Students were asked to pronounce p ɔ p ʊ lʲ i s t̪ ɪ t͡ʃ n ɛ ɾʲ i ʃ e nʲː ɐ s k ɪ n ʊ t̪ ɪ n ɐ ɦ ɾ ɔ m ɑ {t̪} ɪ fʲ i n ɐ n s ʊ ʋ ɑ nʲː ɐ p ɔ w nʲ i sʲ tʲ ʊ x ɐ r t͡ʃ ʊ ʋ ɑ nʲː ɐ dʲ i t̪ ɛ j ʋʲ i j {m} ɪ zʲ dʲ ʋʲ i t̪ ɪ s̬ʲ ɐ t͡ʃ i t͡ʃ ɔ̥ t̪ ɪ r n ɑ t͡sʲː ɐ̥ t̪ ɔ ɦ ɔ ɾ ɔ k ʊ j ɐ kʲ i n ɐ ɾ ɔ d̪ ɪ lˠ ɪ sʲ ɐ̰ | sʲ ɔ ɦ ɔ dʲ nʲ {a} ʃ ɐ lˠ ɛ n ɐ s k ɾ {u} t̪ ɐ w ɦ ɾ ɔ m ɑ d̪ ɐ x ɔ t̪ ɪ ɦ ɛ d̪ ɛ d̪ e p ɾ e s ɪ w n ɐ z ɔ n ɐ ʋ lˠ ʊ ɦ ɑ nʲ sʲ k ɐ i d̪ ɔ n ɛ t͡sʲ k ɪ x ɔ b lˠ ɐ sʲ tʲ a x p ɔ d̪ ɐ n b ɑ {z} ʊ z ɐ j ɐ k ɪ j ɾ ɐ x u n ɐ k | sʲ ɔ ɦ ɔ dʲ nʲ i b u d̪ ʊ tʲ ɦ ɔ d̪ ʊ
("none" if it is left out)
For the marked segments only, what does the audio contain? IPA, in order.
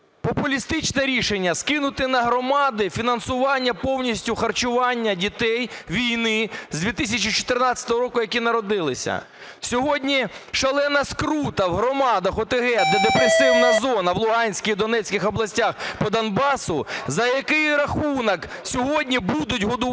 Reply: d̪, n, i, u, s

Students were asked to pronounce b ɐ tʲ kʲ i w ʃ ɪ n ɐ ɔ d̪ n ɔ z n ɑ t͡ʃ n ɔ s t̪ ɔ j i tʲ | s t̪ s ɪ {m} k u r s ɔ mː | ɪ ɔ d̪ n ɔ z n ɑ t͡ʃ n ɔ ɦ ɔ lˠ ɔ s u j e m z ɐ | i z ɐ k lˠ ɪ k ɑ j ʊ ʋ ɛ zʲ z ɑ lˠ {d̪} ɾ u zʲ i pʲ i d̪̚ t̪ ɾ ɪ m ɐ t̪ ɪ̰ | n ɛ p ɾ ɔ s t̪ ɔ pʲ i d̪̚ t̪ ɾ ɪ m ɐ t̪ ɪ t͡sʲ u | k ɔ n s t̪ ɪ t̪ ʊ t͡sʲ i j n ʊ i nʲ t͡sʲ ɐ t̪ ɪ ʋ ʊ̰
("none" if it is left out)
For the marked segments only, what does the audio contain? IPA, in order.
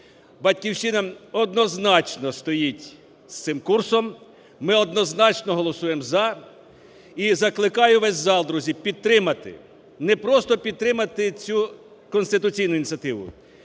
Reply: m, d̪

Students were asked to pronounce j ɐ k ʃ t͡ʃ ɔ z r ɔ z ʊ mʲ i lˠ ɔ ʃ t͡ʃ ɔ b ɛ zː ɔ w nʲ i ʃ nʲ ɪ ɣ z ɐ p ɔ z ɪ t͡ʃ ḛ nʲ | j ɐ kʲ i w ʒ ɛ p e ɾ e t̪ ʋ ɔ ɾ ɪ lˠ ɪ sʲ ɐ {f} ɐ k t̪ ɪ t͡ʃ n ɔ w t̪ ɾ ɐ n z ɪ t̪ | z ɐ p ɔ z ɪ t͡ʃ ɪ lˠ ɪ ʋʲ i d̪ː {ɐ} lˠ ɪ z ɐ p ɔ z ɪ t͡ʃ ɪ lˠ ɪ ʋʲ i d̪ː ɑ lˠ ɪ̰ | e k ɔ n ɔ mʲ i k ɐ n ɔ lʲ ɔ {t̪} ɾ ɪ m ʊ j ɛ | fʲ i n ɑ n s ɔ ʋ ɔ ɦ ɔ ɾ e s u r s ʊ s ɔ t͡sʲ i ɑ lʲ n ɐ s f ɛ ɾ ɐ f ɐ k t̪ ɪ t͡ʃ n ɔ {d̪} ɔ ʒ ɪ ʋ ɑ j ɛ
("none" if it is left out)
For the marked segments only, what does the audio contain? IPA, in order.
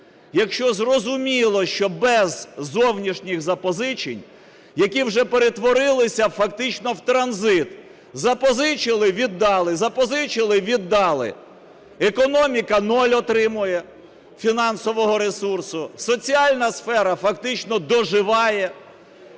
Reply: f, ɑ, t̪, d̪

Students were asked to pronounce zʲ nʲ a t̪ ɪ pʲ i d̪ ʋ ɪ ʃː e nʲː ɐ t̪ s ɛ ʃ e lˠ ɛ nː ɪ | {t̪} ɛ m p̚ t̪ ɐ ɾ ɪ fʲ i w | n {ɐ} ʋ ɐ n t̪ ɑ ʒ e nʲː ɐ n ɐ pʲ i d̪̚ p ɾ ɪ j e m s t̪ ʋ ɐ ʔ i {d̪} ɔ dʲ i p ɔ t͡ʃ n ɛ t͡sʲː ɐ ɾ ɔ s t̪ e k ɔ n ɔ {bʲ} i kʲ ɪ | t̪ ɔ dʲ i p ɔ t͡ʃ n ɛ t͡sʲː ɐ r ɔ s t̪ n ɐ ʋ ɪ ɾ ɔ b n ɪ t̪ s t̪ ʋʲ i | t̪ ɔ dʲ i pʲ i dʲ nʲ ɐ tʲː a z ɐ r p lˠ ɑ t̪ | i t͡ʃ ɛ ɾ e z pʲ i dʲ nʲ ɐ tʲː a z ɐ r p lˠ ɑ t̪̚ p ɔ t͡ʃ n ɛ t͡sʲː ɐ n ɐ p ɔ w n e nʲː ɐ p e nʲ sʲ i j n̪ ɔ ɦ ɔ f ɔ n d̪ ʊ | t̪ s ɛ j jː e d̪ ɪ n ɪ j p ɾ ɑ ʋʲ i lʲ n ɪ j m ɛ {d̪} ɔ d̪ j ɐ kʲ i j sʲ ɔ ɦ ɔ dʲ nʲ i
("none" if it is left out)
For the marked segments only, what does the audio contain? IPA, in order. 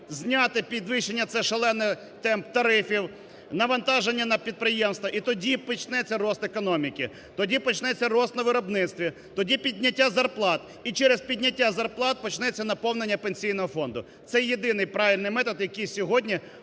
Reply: t̪, ɐ, t̪, mʲ, t̪

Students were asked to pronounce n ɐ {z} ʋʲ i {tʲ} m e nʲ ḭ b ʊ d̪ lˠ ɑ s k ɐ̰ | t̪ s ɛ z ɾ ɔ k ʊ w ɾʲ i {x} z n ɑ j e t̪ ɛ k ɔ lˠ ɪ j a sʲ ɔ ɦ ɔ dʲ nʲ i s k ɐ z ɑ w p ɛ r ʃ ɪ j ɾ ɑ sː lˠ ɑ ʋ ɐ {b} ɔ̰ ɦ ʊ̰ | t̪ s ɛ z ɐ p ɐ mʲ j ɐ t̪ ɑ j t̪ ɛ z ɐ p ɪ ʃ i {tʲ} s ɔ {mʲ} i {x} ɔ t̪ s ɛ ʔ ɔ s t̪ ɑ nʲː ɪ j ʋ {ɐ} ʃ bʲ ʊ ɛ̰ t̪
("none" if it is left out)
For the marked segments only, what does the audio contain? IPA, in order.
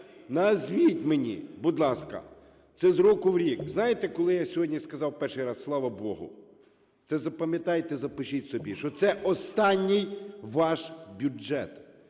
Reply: z, tʲ, k, b, tʲ, bʲ, ʃ, ɑ

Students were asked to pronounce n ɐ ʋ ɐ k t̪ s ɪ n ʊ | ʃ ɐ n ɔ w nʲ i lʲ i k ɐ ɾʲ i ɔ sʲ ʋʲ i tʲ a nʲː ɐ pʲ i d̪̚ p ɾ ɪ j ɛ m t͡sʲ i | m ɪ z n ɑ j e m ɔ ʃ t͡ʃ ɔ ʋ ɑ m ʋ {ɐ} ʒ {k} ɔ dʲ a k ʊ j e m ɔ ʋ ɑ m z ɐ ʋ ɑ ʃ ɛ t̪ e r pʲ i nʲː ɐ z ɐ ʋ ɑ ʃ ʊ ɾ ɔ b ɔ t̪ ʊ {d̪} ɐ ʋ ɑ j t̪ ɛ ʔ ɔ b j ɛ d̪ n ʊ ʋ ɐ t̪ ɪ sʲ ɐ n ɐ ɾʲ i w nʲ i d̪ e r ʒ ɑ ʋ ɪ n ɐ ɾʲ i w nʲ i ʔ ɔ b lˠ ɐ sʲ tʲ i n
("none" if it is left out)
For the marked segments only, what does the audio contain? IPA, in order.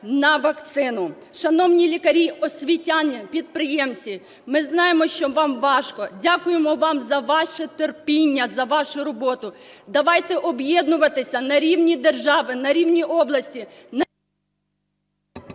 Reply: ɑ, k, d̪

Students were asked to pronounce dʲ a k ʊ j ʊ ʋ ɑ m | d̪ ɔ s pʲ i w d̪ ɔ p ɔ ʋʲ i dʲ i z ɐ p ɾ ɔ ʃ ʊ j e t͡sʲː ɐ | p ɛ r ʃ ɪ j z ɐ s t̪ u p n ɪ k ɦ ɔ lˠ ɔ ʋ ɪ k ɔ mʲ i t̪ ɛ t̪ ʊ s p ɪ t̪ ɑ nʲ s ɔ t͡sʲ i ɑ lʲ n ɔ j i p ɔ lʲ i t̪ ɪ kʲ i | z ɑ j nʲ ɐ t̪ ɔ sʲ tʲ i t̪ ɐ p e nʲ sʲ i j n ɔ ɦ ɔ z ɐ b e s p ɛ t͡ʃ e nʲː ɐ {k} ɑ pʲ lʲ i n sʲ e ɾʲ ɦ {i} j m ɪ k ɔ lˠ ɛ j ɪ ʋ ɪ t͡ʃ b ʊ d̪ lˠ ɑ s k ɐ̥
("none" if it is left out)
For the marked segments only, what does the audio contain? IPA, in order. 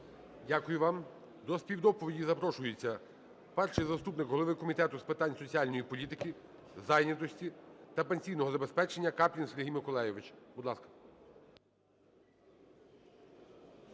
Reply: k, i

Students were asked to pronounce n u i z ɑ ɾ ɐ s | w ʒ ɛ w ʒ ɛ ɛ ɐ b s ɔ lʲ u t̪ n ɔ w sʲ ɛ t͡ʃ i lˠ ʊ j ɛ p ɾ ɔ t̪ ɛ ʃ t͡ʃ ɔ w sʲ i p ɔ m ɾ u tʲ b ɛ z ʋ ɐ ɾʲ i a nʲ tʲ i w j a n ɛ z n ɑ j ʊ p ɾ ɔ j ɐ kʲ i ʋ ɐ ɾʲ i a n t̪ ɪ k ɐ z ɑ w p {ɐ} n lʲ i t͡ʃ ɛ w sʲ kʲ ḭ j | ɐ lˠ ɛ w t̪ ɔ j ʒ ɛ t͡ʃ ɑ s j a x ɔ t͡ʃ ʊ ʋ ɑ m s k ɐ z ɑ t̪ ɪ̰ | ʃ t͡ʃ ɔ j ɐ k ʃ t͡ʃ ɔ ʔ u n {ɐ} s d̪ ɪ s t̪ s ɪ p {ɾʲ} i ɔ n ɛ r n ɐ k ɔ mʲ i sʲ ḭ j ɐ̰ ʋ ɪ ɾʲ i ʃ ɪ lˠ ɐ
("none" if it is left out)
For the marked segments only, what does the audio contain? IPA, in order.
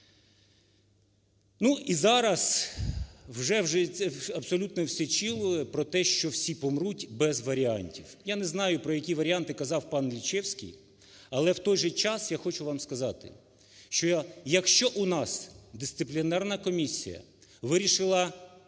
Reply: ɑ, ɑ, lʲ

